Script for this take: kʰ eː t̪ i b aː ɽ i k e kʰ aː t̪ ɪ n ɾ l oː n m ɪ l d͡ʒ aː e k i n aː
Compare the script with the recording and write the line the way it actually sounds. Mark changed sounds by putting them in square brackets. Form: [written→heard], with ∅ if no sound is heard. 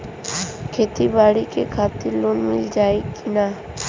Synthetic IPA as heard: kʰ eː t̪ i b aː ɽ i k e kʰ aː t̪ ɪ [n→∅] ɾ l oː n m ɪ l d͡ʒ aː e k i n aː